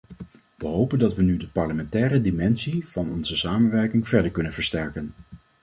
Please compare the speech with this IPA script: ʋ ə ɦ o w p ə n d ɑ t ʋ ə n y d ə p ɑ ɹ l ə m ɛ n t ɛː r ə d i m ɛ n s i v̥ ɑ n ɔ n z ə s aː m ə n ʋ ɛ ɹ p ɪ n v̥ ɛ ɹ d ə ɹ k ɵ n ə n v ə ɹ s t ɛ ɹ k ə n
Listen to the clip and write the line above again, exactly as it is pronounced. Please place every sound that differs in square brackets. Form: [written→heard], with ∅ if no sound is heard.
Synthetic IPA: ʋ ə ɦ o w p ə n d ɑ t ʋ ə n y d ə p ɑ ɹ l ə m ɛ n t ɛː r ə d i m ɛ n s i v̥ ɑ n ɔ n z ə s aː m ə n ʋ ɛ ɹ [p→k] ɪ [n→ŋ] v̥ ɛ ɹ d ə ɹ k ɵ n ə n v ə ɹ s t ɛ ɹ k ə n